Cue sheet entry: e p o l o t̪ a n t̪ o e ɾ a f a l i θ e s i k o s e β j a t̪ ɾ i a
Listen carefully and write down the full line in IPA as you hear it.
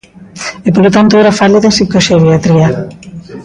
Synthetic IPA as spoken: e p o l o t̪ a n t̪ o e ɾ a f a l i ð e s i k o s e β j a t̪ ɾ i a